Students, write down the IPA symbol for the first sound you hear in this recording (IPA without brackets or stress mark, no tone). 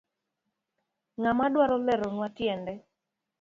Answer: ŋ